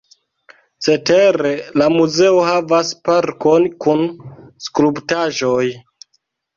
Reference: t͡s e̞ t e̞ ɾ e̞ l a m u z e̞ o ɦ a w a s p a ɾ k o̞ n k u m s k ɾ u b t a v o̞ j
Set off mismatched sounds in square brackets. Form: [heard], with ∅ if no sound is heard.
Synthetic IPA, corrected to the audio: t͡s e̞ t e̞ ɾ e̞ l a m u z e̞ o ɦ a [v] a s p a ɾ k o̞ n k u [n] s k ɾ u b t a [ʒ] o̞ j